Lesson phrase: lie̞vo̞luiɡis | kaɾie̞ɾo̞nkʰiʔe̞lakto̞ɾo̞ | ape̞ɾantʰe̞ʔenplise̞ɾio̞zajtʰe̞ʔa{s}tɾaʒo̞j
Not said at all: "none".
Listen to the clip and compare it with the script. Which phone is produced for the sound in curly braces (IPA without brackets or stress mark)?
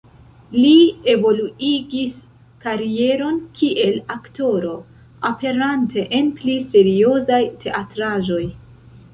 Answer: none